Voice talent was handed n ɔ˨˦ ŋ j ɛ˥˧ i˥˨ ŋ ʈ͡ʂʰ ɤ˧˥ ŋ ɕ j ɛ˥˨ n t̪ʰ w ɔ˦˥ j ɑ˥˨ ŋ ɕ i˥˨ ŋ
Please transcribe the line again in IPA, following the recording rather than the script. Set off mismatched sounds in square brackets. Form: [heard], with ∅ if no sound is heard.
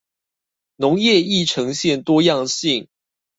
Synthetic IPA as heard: n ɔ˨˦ ŋ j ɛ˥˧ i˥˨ [∅] ʈ͡ʂʰ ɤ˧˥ ŋ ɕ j ɛ˥˨ n [t̪] w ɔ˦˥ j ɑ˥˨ ŋ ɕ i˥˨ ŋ